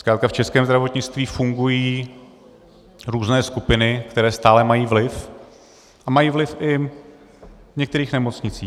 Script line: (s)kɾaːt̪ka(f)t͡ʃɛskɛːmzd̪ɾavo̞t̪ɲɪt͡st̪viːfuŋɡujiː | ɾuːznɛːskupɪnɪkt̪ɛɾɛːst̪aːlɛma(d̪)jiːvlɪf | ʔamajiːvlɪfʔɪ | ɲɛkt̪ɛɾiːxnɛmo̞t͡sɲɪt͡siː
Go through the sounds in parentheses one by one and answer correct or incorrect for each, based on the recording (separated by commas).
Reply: correct, correct, incorrect